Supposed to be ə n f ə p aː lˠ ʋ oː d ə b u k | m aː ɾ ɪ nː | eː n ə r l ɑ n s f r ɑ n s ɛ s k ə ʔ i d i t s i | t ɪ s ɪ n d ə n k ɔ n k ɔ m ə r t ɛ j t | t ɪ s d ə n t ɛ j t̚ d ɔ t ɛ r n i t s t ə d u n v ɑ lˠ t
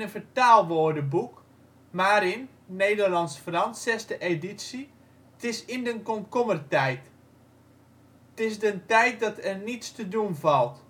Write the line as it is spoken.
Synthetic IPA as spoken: ə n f ə t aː lˠ ʋ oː d ə b u k | m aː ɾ ɪ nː | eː d ə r l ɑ n s f r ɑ n s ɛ s t ə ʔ e d i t s i | t ɪ s ɪ n d ə n k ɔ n k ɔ m ə r t ɛ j t | t ɪ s d ə n t ɛ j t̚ d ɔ t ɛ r n i t s t ə d u n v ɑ lˠ t